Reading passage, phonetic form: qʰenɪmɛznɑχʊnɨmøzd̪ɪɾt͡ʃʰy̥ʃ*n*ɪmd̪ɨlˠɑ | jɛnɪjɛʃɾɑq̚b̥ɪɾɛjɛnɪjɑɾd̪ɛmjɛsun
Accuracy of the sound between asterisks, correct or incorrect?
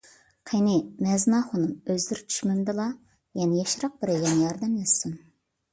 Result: incorrect